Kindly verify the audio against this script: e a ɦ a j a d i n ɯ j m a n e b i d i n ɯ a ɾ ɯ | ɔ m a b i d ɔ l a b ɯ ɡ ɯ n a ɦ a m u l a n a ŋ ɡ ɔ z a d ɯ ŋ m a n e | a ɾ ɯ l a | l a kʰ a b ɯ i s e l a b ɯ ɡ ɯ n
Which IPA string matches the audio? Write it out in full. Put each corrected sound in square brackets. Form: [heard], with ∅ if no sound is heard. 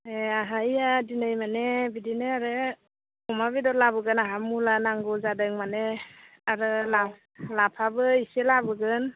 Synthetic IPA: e a ɦ a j a d i n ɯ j m a n e b i d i n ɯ a ɾ ɯ | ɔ m a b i d ɔ l a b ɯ ɡ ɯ n a ɦ a m u l a n a ŋ ɡ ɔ z a d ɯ ŋ m a n e | a ɾ ɯ l a | l a [pʰ] a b ɯ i s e l a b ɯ ɡ ɯ n